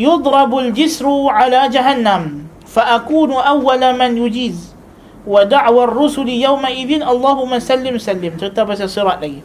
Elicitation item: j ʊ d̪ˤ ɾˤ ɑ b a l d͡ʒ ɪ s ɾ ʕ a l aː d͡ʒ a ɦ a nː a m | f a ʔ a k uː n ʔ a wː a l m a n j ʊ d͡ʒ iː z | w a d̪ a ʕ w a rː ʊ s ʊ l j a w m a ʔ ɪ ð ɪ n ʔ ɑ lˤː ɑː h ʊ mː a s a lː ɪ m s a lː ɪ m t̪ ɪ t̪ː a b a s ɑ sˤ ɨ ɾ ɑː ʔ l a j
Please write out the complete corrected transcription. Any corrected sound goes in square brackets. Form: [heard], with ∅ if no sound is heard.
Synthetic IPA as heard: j ʊ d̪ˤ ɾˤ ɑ b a l d͡ʒ ɪ s ɾ ʕ a l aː d͡ʒ a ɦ a nː a m | f a ʔ a k uː n ʔ a wː a l m a n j ʊ d͡ʒ iː z | w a d̪ a ʕ w a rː ʊ s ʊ l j a w m a ʔ ɪ ð ɪ n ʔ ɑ lˤː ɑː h ʊ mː a s a lː ɪ m s a lː ɪ m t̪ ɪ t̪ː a b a s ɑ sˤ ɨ ɾ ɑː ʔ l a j